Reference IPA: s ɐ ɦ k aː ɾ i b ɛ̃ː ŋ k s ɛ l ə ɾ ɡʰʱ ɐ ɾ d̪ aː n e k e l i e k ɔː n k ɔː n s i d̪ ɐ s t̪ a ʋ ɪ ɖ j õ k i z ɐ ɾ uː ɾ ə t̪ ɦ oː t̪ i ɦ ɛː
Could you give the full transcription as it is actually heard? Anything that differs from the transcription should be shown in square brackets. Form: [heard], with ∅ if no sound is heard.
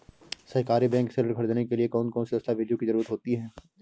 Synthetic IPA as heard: s ɐ ɦ k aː ɾ i b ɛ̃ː ŋ k s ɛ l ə ɾ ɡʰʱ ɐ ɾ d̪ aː n e k e l i e k ɔː n k ɔː n s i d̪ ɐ s t̪ a ʋ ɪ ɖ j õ k i z ɐ ɾ uː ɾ ə t̪ ɦ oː t̪ i ɦ ɛː